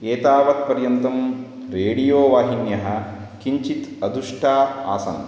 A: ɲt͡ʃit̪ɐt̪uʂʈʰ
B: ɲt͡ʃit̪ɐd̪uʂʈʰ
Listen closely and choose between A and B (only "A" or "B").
B